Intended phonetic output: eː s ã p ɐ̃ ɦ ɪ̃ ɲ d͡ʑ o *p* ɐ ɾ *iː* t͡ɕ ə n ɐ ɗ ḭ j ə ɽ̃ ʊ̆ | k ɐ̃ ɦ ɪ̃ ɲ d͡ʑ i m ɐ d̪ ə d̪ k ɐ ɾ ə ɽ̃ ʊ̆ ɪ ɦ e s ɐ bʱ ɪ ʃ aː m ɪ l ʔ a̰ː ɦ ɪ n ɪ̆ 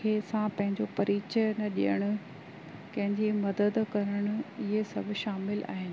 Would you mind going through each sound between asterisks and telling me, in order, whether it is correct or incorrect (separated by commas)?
correct, correct